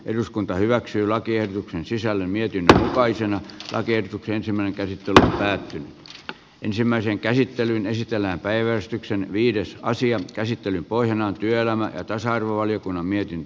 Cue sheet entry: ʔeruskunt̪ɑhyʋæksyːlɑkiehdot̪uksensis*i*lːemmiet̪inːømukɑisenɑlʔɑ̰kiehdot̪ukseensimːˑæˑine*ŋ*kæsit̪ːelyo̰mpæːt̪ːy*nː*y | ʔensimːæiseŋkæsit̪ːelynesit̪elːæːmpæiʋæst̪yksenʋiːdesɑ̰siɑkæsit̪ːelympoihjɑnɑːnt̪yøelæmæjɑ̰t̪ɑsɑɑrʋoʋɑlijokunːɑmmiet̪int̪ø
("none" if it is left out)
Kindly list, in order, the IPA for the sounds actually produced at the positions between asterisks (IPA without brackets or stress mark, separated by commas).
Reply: æ, ŋ, n